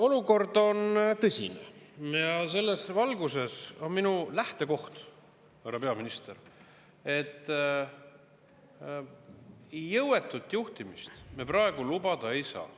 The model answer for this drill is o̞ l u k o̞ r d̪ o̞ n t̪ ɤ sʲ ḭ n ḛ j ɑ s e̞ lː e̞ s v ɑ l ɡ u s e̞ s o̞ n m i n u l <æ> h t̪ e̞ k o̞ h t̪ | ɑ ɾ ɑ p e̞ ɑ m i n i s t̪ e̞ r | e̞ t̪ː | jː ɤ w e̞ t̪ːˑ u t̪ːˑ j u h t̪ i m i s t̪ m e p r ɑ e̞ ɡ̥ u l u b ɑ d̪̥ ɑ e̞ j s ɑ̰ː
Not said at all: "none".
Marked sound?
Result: æ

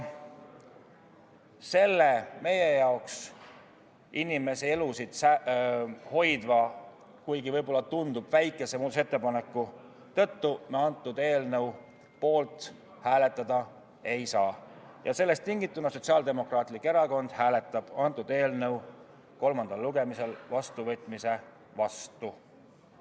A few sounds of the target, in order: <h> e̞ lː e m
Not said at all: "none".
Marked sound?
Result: s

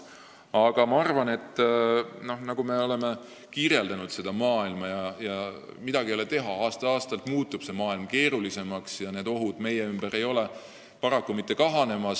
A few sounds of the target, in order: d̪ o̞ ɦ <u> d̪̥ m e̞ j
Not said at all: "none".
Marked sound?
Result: u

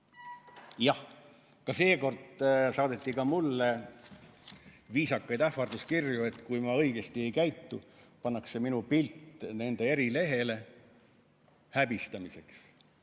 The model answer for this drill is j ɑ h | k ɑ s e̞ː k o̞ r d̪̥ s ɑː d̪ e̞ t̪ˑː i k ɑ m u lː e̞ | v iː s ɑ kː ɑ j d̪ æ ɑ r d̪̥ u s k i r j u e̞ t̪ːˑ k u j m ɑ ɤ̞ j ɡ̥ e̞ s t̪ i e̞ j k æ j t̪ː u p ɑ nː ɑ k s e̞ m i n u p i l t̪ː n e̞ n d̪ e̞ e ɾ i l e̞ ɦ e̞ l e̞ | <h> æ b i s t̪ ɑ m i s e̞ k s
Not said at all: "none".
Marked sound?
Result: h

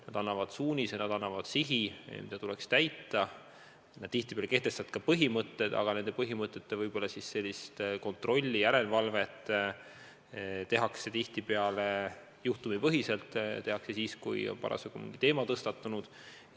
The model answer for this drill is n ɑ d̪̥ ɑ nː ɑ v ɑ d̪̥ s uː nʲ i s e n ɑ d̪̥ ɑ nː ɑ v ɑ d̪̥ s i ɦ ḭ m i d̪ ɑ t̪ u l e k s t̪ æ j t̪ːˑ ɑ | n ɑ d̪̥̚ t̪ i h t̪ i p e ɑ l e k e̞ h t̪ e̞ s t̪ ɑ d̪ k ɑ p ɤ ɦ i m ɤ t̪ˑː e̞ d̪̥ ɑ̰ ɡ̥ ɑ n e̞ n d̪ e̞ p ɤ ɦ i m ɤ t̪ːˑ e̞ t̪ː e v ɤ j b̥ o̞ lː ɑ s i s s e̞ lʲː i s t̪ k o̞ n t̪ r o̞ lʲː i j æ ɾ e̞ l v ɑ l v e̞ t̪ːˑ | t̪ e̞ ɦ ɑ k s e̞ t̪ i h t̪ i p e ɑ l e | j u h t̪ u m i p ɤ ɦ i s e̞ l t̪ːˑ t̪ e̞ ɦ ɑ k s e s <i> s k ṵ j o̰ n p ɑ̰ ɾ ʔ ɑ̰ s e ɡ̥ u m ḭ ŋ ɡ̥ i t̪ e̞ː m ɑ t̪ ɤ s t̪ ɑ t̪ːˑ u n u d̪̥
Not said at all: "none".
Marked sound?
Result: iː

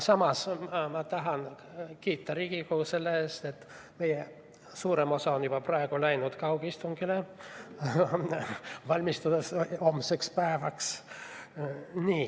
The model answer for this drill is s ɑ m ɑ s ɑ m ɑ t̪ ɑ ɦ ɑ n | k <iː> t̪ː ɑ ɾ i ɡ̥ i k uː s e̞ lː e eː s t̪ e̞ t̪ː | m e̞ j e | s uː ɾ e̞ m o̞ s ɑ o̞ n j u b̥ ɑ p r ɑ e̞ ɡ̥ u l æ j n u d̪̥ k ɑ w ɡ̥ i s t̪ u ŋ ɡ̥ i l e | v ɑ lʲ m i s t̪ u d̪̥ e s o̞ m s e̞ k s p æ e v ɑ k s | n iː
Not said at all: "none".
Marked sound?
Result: iː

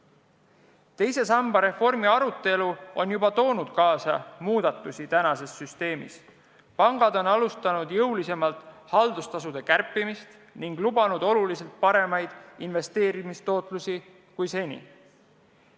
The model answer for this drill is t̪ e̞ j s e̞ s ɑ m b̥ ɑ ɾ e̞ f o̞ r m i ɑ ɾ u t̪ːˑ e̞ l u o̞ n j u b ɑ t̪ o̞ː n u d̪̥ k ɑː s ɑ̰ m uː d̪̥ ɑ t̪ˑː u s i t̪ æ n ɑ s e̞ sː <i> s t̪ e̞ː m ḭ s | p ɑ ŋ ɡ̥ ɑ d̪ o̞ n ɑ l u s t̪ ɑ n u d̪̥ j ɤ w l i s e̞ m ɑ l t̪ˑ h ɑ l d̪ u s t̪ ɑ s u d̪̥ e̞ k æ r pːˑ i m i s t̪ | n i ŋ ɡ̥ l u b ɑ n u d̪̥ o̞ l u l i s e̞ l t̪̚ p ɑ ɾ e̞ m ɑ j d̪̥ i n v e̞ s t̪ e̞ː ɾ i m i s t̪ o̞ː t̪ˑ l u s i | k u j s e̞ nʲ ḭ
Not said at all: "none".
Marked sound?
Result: y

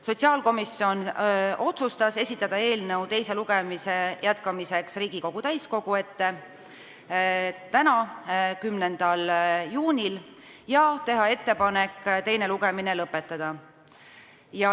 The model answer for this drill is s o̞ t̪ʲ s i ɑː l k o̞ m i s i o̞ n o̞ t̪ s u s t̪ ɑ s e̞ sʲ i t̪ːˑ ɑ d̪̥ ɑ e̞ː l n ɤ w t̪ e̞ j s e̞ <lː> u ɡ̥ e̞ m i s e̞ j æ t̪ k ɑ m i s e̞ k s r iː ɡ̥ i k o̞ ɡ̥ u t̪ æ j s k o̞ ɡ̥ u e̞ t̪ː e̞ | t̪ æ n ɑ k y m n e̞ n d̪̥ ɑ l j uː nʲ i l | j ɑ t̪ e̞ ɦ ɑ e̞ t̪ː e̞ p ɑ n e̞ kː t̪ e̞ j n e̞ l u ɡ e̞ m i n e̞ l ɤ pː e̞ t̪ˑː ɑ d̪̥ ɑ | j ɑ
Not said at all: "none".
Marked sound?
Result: l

